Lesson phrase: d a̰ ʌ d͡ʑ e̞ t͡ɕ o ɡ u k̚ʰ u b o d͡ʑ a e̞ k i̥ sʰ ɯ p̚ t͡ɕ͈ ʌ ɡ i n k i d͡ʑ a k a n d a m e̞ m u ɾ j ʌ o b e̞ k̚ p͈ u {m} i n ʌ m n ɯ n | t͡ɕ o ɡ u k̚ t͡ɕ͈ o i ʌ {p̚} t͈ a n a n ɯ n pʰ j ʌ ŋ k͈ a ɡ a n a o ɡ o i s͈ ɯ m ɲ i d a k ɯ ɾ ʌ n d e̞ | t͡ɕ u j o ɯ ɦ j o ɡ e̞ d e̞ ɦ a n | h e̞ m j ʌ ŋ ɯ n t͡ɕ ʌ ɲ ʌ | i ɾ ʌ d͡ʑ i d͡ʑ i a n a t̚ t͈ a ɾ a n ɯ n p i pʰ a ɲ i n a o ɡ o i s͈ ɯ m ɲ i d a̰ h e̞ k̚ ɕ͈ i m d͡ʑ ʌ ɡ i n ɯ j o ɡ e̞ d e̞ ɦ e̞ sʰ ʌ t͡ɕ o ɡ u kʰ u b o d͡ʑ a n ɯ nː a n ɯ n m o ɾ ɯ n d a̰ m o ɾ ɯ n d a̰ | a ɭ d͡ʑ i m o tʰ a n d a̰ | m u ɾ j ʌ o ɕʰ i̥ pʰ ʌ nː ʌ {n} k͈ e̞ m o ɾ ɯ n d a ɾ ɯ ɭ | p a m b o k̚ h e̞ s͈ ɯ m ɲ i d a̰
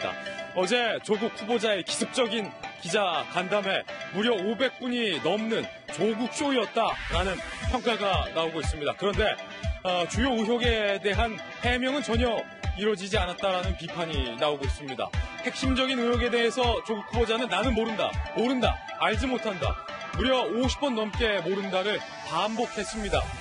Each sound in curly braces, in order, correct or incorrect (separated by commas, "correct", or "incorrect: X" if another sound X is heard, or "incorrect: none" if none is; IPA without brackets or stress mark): incorrect: ɲ, incorrect: t̚, incorrect: m